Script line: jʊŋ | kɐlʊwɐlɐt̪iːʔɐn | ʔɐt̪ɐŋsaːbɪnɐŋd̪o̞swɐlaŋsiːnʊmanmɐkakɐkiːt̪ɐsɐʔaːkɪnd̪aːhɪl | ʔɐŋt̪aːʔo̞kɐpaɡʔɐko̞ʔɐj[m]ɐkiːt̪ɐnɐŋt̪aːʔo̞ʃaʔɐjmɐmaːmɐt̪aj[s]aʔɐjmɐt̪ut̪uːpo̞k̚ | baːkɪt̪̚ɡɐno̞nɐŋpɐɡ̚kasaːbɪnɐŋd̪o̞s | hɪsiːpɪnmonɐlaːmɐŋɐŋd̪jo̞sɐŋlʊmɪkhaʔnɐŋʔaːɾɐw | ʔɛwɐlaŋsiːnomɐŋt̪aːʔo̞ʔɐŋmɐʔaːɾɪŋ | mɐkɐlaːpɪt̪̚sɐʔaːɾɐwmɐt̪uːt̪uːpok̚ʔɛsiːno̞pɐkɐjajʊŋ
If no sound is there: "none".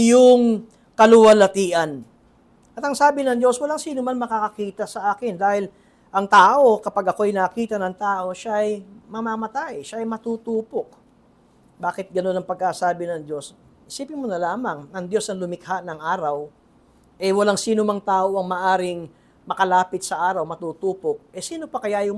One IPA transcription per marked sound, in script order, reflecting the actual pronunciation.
n, ʃ

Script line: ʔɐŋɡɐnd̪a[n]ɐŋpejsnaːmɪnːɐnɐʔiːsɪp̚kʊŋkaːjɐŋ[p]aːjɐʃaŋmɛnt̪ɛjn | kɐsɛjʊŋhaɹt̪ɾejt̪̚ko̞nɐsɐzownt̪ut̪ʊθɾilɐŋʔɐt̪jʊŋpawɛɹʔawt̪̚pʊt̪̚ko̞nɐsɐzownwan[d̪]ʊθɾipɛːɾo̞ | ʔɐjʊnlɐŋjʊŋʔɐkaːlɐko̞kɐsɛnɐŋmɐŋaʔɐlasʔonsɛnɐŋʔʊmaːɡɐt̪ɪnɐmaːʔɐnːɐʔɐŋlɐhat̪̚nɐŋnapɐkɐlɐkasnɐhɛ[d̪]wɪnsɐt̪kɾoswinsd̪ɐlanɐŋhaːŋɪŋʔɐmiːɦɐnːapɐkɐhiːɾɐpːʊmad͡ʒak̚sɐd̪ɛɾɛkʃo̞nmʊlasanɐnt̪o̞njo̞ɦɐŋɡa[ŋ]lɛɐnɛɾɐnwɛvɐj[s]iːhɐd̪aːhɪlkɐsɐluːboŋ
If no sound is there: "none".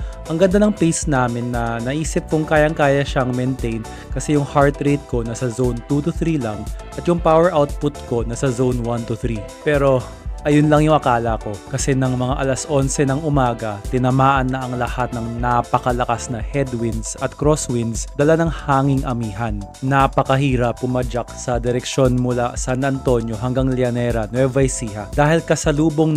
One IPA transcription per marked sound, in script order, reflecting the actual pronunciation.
n, k, t̪, d̪, ŋ, s

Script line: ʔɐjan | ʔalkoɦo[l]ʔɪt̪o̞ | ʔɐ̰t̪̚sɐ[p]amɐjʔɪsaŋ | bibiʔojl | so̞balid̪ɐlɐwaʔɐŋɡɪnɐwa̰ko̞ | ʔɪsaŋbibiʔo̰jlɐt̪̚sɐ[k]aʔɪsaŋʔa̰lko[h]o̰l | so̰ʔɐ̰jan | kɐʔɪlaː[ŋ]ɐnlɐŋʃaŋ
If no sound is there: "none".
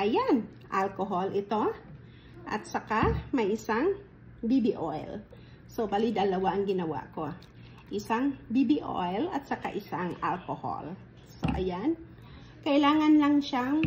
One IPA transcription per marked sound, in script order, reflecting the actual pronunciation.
l, k, k, h, ŋ

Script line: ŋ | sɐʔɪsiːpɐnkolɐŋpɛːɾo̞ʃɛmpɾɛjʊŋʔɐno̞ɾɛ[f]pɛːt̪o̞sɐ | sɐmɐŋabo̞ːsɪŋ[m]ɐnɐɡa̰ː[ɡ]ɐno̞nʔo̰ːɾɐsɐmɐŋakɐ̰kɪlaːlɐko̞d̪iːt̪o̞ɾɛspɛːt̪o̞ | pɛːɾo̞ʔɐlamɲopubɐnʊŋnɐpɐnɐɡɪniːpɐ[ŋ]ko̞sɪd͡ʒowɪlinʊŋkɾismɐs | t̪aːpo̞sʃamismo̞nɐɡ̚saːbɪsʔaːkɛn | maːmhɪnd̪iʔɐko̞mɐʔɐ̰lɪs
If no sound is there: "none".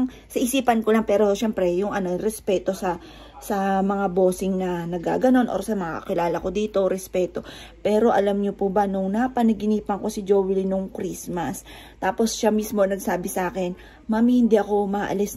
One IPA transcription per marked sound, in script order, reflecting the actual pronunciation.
s, n, ɡ, ŋ

